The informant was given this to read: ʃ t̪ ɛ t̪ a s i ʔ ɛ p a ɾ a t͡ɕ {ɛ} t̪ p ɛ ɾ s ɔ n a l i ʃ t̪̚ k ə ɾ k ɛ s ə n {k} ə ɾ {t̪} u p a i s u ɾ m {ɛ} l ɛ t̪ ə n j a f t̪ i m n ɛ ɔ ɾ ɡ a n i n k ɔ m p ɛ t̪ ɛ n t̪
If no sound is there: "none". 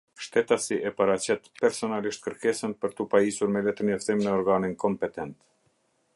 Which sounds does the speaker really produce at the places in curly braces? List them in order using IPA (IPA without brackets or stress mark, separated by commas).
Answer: ɛ, p, t̪, ɛ